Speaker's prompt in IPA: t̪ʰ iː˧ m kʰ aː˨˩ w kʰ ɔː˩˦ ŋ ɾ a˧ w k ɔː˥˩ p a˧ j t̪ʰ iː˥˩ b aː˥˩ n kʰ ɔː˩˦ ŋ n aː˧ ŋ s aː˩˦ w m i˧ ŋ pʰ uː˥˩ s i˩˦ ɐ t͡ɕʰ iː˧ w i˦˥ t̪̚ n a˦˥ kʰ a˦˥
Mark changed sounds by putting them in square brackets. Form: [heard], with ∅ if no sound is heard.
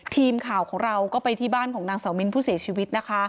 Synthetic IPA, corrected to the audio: t̪ʰ iː˧ m kʰ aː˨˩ w kʰ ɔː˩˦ ŋ ɾ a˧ w k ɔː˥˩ p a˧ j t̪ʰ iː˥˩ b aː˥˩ n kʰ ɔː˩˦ ŋ n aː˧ ŋ s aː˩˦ w m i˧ [n] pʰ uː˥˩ s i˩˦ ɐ t͡ɕʰ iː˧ w i˦˥ t̪̚ n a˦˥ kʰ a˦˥